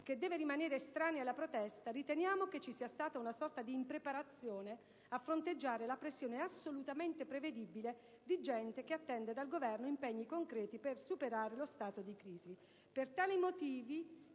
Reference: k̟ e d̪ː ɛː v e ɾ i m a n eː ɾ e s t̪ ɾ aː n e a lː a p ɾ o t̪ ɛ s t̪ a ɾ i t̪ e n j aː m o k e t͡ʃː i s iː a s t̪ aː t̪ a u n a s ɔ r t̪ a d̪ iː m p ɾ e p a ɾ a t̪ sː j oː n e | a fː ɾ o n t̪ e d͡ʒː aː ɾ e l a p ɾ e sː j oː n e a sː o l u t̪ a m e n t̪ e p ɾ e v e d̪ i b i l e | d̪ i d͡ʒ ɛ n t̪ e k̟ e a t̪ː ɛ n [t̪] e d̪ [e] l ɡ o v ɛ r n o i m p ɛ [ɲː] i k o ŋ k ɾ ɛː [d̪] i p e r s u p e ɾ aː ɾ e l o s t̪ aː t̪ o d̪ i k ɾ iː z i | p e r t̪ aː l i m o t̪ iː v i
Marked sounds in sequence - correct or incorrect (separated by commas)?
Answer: incorrect, incorrect, correct, incorrect